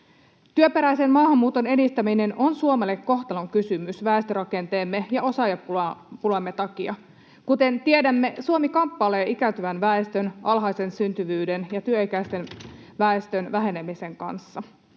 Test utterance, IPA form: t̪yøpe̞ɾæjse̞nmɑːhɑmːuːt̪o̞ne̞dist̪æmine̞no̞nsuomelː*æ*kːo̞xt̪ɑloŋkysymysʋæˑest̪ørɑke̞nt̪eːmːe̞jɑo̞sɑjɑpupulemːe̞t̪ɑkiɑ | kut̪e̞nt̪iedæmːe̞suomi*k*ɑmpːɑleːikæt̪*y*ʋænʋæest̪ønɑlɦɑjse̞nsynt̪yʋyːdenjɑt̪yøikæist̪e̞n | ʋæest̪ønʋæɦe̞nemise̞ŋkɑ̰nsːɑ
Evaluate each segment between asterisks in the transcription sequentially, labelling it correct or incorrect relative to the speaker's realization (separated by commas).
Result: incorrect, correct, correct